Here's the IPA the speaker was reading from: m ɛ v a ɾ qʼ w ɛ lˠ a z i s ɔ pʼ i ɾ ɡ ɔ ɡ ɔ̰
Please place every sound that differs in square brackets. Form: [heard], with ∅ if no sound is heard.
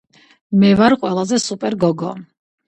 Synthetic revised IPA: m ɛ v a ɾ qʼ w ɛ lˠ a z [ɛ] s [u] pʼ [ɛ] ɾ ɡ ɔ ɡ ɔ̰